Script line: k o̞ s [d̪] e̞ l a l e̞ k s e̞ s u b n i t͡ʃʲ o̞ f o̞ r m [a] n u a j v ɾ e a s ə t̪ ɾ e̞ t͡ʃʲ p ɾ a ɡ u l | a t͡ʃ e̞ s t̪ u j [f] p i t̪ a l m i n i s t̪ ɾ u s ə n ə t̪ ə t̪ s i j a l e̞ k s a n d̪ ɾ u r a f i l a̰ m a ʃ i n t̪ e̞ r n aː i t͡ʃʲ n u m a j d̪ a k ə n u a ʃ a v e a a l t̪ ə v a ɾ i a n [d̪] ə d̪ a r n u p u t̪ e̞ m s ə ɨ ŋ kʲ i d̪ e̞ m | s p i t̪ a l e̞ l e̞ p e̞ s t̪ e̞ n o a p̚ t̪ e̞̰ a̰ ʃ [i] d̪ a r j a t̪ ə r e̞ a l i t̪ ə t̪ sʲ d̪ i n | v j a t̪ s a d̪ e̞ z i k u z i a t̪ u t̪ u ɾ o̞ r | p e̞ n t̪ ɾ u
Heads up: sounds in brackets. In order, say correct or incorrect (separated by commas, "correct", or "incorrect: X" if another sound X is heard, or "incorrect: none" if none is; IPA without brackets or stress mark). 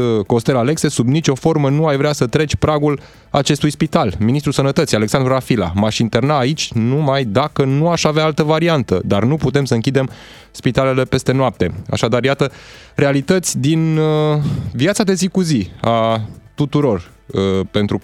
incorrect: t̪, incorrect: ə, incorrect: s, incorrect: t̪, incorrect: a